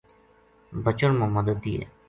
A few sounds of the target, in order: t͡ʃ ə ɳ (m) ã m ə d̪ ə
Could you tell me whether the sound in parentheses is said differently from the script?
no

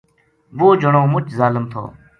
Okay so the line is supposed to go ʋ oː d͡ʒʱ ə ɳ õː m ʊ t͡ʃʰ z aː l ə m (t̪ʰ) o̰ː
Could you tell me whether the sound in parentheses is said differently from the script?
no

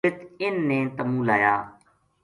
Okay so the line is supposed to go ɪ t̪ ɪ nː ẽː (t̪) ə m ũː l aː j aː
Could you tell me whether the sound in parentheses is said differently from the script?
no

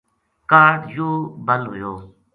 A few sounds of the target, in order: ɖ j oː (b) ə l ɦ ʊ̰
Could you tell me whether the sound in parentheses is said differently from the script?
no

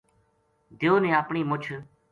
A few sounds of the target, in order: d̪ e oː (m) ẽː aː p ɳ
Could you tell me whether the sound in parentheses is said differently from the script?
yes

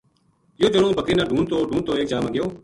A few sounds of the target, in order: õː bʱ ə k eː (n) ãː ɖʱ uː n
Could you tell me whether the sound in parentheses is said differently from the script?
no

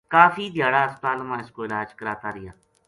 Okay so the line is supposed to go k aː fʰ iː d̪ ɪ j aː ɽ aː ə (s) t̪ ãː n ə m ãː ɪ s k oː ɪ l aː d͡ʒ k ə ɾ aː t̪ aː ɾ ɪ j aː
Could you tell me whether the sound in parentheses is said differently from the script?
no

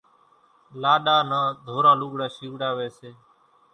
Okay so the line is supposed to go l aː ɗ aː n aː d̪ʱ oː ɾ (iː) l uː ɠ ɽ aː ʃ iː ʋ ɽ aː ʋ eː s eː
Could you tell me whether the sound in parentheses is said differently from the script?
yes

